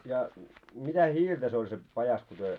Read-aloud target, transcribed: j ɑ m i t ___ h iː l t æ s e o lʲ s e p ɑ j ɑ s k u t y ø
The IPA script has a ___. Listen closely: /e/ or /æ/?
æ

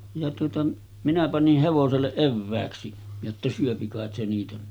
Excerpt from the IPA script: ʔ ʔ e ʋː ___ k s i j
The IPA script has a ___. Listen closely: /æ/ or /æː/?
æː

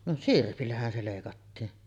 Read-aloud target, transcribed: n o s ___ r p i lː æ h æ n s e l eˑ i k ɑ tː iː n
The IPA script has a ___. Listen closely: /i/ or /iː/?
i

